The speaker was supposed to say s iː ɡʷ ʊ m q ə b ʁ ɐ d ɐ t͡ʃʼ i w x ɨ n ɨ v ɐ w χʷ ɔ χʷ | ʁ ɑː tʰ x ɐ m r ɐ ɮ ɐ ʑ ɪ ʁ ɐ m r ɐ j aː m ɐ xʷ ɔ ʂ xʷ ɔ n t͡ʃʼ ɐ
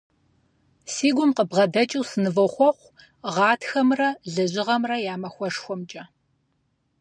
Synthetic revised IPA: s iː ɡʷ ʊ m q ə b ʁ ɐ d ɐ t͡ʃʼ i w s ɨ n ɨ v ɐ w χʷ ɔ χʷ | ʁ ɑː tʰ x ɐ m r ɐ ɮ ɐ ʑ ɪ ʁ ɐ m r ɐ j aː m ɐ xʷ ɔ ʂ xʷ ɔ m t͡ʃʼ ɐ